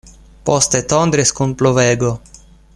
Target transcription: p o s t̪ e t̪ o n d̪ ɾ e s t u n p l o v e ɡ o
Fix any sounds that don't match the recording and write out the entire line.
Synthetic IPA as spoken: p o s t̪ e t̪ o n d̪ ɾ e s k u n p l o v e ɡ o